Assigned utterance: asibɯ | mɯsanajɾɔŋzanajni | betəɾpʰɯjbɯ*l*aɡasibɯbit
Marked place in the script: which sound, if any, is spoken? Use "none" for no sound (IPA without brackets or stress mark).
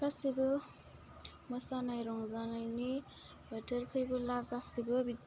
l